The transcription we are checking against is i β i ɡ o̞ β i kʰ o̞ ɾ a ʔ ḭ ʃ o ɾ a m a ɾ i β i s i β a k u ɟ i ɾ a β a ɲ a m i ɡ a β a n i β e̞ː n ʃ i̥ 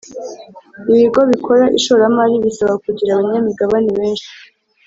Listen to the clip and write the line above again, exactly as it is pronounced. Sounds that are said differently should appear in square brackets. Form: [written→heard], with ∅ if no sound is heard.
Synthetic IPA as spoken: i β i ɡ o̞ β i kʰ o̞ ɾ a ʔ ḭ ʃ o ɾ a m a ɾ i β i s [i→a] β a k u ɟ i ɾ a β a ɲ a m i ɡ a β a n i β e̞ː n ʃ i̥